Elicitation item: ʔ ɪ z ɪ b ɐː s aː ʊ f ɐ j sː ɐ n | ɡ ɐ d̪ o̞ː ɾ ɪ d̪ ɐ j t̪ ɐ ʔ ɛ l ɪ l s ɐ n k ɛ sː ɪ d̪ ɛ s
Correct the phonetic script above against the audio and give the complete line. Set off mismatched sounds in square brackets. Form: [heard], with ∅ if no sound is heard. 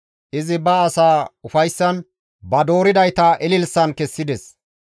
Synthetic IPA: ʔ ɪ z ɪ b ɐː s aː ʊ f ɐ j sː ɐ n | [b] ɐ d̪ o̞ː ɾ ɪ d̪ ɐ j t̪ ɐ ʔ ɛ l ɪ l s ɐ n k ɛ sː ɪ d̪ ɛ s